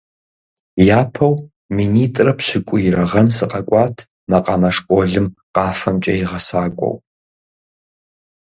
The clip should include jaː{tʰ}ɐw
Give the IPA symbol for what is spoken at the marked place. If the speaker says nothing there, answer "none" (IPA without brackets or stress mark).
pʰ